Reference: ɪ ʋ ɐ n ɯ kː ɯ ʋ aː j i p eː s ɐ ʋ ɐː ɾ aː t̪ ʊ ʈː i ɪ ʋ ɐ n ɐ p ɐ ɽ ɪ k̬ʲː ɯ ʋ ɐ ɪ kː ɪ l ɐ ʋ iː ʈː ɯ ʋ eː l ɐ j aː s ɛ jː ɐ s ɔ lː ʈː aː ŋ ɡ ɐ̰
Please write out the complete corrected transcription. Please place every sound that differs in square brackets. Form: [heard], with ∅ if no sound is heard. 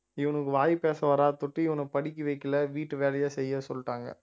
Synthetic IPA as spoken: ɪ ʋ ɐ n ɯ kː ɯ ʋ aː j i p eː s ɐ ʋ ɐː ɾ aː t̪ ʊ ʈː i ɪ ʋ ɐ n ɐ p ɐ ɽ ɪ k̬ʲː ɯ ʋ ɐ ɪ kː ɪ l ɐ ʋ iː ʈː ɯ ʋ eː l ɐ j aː s ɛ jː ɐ s ɔ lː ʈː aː ŋ ɡ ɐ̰